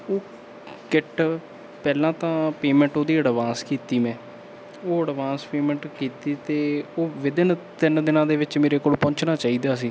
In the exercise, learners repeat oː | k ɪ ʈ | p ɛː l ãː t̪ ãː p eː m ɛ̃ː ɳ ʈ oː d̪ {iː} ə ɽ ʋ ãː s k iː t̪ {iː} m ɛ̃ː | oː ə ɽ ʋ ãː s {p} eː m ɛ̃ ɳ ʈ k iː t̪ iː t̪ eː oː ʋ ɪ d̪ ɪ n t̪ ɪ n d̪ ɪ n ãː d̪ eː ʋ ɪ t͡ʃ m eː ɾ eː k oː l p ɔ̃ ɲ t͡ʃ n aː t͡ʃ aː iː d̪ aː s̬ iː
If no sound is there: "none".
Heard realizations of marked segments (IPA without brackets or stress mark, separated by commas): iː, iː, p